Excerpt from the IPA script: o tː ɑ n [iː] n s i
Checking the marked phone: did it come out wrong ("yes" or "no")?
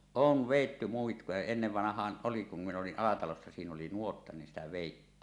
yes